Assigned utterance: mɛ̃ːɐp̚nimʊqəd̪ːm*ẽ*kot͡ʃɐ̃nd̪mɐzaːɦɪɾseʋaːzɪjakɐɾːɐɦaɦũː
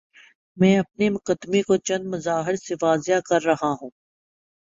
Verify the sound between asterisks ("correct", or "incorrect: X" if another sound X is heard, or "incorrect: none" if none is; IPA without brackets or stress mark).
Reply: incorrect: e